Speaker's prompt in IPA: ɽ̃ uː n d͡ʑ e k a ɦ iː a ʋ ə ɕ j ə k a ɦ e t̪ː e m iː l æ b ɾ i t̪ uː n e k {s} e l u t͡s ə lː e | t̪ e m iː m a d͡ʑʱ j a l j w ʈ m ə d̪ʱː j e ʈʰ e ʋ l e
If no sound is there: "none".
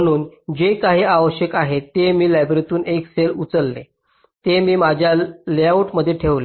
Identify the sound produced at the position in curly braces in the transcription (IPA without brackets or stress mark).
s